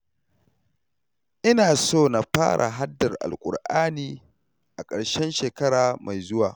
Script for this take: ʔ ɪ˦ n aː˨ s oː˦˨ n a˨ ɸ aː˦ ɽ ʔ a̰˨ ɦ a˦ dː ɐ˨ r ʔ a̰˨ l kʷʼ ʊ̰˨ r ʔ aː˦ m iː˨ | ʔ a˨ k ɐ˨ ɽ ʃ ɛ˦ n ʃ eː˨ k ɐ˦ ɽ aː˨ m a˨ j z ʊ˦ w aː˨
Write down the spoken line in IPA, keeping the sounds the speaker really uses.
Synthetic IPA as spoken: ʔ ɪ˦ n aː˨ s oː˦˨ n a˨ ɸ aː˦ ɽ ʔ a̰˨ ɦ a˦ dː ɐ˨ r ʔ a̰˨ l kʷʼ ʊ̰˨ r ʔ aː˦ n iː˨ | ʔ a˨ kʼ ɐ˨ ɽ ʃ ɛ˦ n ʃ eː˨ k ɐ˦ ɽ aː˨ m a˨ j z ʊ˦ w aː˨